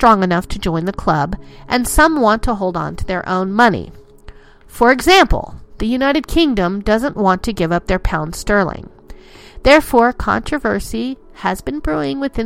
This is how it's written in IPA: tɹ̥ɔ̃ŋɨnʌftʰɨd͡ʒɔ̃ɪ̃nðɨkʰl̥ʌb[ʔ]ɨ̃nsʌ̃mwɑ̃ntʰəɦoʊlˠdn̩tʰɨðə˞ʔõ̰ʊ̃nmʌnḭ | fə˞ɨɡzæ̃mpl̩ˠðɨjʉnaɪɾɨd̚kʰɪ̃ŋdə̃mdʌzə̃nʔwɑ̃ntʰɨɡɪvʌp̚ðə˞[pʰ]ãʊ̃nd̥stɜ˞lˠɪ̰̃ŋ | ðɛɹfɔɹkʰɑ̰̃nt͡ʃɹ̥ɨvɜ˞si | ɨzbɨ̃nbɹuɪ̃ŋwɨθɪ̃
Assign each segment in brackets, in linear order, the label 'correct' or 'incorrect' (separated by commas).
correct, correct